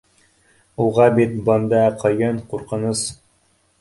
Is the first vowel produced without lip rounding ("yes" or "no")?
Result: no